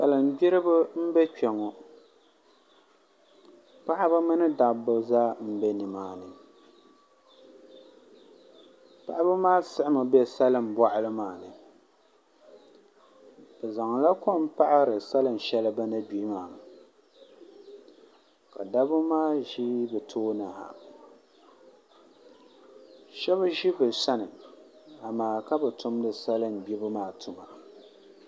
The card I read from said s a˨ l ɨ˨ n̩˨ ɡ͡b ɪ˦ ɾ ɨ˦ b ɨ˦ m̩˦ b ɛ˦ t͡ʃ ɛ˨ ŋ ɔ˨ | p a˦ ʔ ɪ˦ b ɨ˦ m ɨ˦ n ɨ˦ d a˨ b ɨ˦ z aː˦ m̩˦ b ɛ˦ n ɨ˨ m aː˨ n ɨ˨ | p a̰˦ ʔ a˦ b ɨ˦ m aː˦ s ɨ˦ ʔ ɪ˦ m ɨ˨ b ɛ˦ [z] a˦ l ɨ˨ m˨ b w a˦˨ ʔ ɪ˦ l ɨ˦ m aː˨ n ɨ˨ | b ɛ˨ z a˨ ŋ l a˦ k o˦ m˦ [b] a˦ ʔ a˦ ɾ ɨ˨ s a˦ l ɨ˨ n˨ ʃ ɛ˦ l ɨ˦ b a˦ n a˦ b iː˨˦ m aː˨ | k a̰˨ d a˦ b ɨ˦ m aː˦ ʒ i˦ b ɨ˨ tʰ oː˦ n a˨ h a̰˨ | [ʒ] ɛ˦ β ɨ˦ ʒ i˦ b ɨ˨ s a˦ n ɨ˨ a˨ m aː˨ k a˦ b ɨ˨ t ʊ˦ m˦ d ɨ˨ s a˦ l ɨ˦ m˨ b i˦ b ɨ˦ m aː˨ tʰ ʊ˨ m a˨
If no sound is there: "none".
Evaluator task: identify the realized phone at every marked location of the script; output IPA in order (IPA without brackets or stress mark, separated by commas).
s, p, ʃ